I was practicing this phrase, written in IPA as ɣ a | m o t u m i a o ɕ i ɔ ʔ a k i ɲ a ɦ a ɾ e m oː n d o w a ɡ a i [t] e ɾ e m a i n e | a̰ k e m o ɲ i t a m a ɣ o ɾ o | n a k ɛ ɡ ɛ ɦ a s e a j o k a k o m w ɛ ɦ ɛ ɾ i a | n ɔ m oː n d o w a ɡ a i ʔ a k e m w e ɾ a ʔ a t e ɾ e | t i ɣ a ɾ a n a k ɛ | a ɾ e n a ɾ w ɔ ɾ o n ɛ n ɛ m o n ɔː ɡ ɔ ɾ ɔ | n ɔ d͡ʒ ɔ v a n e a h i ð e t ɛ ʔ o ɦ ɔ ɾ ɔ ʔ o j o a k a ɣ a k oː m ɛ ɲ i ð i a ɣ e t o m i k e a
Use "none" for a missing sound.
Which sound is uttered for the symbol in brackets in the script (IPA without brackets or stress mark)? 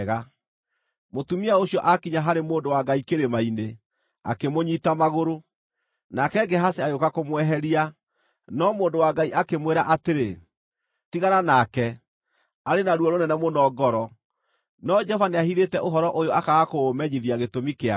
k